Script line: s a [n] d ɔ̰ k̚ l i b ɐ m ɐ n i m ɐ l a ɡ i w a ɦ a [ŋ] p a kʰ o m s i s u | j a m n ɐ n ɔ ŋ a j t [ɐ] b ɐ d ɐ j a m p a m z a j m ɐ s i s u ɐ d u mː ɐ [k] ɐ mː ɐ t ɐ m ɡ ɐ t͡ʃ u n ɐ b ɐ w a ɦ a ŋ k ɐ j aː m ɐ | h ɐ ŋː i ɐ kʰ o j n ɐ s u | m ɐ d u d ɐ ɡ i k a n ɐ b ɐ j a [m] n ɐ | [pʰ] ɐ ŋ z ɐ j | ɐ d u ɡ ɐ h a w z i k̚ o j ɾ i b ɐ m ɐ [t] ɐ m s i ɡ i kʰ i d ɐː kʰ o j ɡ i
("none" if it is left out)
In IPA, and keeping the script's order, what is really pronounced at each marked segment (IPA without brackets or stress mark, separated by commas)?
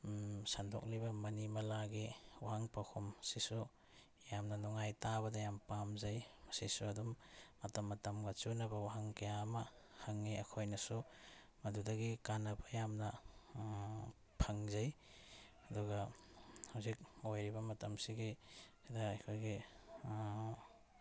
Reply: n, ŋ, a, t, m, pʰ, t